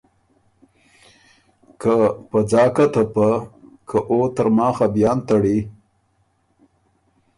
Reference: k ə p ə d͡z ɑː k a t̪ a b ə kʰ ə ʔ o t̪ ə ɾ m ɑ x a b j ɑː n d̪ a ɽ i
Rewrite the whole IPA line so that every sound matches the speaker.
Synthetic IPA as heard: k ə p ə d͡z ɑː k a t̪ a p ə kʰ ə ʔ o t̪ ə ɾ m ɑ x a b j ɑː n t̪ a ɽ i